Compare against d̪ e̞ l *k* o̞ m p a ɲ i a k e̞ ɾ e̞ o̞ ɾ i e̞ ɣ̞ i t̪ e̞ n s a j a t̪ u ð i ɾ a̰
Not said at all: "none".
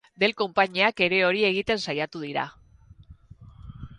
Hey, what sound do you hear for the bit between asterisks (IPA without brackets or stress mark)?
k